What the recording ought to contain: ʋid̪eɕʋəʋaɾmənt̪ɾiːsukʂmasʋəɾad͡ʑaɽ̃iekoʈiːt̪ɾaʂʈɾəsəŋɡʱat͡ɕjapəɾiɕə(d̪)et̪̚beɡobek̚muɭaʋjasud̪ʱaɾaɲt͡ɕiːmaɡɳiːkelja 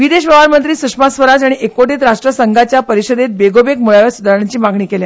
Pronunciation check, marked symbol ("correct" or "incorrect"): correct